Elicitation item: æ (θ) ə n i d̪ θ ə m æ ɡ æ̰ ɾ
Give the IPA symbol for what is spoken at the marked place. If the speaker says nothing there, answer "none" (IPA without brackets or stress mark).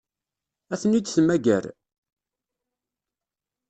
θ